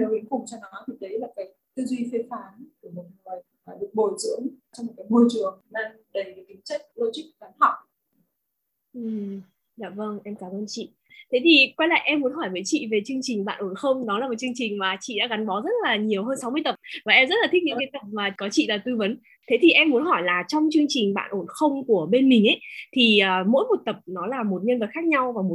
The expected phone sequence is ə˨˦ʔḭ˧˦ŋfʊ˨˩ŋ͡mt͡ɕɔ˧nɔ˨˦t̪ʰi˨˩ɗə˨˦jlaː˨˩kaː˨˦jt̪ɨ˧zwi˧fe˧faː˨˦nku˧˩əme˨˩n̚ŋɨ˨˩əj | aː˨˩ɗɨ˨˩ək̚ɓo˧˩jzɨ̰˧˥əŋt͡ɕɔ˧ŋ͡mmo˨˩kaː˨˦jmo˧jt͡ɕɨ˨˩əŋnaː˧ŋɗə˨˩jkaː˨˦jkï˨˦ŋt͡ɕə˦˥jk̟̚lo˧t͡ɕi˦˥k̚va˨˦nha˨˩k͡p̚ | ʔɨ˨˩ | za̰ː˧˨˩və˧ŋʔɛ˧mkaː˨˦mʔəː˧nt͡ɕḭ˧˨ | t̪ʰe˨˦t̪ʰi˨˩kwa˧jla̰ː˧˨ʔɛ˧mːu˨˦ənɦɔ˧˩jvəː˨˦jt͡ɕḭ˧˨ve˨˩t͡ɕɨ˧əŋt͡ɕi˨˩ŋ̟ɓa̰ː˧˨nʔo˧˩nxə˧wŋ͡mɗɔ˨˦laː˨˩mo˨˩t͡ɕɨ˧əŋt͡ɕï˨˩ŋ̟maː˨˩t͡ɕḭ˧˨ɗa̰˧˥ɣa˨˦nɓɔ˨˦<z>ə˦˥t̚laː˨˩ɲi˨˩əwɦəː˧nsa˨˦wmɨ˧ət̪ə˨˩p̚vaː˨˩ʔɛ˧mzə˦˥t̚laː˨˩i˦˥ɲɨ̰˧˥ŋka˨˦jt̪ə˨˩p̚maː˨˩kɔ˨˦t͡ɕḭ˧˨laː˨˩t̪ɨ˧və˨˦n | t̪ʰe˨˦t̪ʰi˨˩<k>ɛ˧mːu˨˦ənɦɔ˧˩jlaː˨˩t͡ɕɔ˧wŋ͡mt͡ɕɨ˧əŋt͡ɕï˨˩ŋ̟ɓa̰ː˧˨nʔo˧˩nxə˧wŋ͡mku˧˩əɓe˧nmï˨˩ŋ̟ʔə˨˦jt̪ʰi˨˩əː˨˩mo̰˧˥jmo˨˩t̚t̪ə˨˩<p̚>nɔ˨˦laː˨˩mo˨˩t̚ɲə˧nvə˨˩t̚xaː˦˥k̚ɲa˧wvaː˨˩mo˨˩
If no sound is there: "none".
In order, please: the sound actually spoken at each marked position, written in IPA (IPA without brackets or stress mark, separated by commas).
z, ʔ, p̚